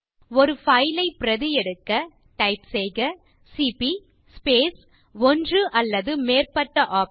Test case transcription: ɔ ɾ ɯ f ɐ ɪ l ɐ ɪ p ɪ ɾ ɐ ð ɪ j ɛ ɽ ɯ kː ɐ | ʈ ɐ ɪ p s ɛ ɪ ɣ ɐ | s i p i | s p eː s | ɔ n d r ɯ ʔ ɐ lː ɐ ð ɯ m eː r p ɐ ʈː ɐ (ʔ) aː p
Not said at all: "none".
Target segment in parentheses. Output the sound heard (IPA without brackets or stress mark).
ʔ